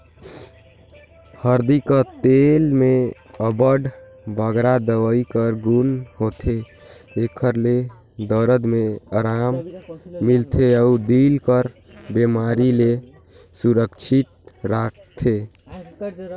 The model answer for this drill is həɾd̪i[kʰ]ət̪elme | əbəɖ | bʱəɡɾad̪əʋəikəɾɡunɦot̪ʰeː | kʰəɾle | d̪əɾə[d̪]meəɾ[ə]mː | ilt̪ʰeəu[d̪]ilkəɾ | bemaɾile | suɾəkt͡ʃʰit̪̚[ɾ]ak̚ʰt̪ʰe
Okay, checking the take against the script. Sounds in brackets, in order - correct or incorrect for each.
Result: incorrect: k, correct, incorrect: a, correct, correct

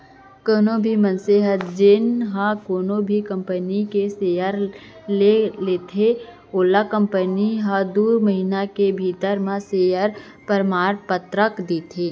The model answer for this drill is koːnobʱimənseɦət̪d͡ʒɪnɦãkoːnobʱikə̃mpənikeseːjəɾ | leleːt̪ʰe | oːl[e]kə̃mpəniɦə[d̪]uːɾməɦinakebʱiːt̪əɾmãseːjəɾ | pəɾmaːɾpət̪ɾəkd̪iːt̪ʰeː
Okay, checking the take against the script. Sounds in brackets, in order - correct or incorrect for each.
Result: incorrect: a, correct

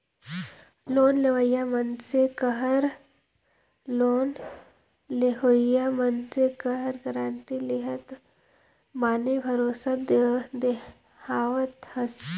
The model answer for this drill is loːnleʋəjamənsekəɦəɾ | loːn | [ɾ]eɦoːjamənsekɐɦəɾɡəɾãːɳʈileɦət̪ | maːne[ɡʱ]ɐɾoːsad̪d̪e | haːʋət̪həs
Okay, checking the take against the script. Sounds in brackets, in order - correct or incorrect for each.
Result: incorrect: l, incorrect: bʱ

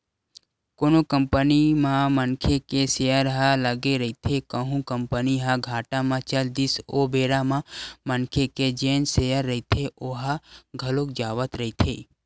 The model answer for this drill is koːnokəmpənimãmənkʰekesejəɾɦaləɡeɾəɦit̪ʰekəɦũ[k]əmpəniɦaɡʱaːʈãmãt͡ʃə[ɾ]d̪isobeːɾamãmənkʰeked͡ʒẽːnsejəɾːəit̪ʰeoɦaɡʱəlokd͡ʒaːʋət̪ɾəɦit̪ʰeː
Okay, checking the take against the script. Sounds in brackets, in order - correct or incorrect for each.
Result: correct, incorrect: l

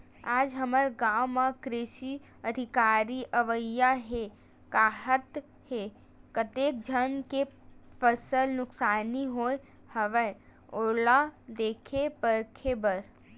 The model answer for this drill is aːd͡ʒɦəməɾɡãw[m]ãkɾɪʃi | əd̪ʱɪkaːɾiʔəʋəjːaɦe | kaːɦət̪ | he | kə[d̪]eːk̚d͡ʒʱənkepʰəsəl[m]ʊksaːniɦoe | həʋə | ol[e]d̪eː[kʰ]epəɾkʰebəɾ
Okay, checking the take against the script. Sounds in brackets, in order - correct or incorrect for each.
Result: correct, incorrect: t̪, incorrect: n, incorrect: a, correct

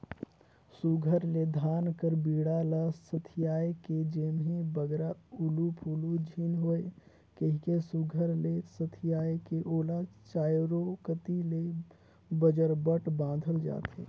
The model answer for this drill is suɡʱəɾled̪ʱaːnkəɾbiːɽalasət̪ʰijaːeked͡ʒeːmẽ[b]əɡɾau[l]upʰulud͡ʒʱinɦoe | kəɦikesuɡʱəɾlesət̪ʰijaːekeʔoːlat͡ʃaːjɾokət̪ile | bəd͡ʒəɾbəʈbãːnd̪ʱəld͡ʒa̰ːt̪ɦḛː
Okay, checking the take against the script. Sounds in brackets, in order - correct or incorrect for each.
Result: correct, correct

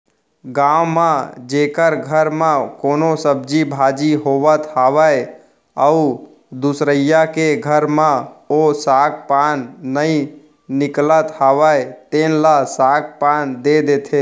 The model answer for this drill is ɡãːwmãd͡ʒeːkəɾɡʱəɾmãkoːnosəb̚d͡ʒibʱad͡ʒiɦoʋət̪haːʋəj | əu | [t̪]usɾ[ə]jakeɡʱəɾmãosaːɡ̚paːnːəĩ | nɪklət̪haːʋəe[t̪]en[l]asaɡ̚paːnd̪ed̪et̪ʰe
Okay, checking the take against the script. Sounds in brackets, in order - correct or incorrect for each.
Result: incorrect: d̪, correct, correct, correct

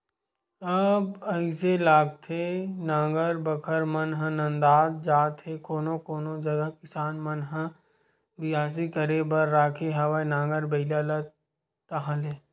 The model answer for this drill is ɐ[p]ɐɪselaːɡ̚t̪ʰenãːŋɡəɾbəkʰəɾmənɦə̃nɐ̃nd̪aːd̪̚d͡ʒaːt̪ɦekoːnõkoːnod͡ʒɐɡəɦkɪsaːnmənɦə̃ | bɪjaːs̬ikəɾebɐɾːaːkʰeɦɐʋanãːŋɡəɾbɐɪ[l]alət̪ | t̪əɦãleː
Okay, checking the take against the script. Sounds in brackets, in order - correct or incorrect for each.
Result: incorrect: b, correct

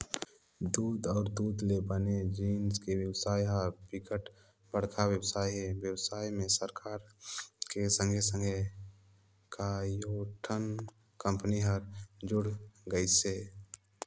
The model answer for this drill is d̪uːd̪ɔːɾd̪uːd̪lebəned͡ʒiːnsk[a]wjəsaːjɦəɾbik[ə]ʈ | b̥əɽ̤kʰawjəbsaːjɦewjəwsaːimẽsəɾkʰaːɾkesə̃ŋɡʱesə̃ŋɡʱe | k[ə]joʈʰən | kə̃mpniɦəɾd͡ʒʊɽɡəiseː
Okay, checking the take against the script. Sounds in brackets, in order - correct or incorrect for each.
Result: incorrect: e, correct, incorrect: a

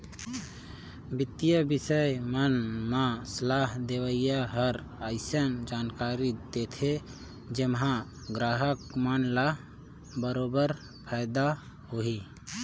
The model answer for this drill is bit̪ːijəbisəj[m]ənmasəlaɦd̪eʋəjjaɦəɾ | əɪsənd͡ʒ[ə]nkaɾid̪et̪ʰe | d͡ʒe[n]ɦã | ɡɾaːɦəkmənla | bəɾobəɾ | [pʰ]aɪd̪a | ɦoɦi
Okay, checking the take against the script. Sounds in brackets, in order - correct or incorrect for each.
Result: correct, incorrect: a, incorrect: m, correct

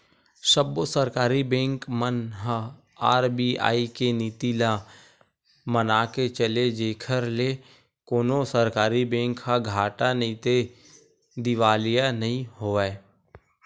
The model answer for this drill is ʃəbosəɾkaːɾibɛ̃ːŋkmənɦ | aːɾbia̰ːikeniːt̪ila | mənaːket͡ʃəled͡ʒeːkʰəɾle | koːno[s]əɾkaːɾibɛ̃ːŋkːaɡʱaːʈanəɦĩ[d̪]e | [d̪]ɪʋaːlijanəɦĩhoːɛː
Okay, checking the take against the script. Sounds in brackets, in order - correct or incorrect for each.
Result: correct, incorrect: t̪, correct

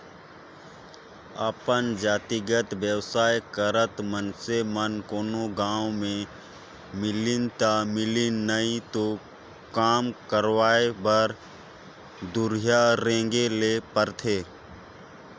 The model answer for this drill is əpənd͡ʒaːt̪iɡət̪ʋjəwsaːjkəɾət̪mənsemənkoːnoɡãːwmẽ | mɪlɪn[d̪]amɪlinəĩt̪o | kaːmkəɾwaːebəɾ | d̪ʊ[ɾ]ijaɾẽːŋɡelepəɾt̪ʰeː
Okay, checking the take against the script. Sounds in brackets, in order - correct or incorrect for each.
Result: incorrect: t̪, correct

